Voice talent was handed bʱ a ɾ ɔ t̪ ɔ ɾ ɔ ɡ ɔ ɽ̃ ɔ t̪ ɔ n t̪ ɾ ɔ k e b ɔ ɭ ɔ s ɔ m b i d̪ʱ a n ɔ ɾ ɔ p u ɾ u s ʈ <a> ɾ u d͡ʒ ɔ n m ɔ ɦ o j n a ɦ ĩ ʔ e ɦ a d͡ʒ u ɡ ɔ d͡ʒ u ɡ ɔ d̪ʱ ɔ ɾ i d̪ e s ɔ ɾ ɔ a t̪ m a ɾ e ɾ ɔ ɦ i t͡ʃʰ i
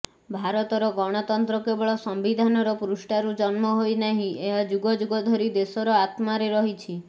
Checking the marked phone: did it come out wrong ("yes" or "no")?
no